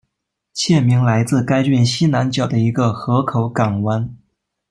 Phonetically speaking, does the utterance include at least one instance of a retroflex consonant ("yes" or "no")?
no